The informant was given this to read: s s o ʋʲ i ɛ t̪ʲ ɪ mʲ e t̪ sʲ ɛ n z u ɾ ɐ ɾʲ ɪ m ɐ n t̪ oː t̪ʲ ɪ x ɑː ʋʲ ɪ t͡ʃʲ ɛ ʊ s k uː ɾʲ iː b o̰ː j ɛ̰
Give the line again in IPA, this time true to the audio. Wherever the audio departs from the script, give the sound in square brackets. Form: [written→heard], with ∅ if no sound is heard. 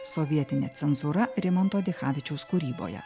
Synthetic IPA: s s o ʋʲ i ɛ t̪ʲ ɪ [mʲ→nʲ] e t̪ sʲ ɛ n z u ɾ ɐ ɾʲ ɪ m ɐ n t̪ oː [t̪ʲ→d̪ʲ] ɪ x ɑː ʋʲ ɪ t͡ʃʲ ɛ ʊ s k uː ɾʲ iː b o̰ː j ɛ̰